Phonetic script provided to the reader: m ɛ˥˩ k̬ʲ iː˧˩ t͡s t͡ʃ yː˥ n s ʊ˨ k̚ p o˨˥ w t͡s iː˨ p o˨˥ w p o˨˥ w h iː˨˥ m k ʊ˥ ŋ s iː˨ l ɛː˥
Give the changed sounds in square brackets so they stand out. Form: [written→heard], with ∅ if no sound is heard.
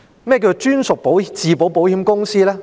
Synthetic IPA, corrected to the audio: m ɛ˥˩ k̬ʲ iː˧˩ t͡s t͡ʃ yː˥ n s ʊ˨ k̚ p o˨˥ w t͡s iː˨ p o˨˥ w p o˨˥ w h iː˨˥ m k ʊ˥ ŋ s [iː˨→iː˥] l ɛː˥

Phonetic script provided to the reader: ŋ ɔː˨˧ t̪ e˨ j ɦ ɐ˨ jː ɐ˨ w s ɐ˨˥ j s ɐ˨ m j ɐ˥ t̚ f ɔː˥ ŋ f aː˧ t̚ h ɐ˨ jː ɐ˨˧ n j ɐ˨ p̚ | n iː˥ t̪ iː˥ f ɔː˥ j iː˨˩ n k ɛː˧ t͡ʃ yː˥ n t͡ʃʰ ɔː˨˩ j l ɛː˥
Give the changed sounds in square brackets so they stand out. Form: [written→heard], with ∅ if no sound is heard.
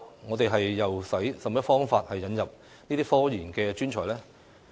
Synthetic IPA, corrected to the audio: ŋ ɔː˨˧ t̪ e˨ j ɦ ɐ˨ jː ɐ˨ w s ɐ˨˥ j s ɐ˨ m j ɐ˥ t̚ f ɔː˥ ŋ f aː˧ t̚ h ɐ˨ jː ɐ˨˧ n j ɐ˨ p̚ | n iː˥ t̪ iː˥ f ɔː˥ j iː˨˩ n k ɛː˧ t͡ʃ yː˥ n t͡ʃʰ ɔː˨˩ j l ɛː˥

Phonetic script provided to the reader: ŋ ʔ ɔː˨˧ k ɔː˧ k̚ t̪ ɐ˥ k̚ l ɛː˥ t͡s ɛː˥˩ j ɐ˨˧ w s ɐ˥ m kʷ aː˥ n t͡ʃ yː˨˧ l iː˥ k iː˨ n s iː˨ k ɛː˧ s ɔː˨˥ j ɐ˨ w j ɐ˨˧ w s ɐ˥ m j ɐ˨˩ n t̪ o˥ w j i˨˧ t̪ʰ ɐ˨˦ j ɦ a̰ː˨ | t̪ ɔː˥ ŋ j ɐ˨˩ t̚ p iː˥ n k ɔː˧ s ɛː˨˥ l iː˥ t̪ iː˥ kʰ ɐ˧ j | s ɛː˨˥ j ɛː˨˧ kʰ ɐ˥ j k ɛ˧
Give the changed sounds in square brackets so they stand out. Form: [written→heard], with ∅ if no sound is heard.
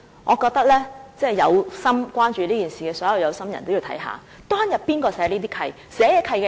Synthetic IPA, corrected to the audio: ŋ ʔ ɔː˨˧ k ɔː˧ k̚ t̪ ɐ˥ k̚ l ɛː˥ t͡s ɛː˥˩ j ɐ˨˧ w s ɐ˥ m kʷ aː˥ n t͡ʃ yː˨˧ l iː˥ k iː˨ n s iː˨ k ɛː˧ s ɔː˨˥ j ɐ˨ w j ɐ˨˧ w s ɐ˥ m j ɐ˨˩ n t̪ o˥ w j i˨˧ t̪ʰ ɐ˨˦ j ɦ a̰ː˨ | t̪ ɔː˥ ŋ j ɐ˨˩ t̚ p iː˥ n k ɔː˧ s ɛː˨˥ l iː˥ t̪ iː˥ kʰ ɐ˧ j | s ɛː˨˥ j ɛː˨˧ kʰ [ɐ˥→ɐ˧] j k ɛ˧

